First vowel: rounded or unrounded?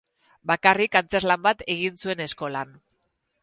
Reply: unrounded